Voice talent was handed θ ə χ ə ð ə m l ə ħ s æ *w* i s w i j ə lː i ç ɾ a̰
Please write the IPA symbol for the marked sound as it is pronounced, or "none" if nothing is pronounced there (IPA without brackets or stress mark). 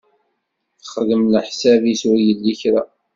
v